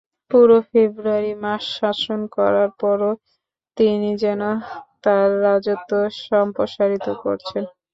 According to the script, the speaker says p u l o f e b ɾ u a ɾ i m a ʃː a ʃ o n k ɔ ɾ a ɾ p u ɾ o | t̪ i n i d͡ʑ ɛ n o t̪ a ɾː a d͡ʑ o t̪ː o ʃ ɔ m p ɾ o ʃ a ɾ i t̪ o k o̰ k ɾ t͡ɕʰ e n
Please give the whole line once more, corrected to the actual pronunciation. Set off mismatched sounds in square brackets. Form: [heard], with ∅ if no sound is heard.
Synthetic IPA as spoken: p u [ɾ] o f e b ɾ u a ɾ i m a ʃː a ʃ o n k ɔ ɾ a ɾ p [ɔ] ɾ o | t̪ i n i d͡ʑ ɛ n o t̪ a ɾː a d͡ʑ o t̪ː o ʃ ɔ m p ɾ o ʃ a ɾ i t̪ o k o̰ [∅] ɾ t͡ɕʰ e n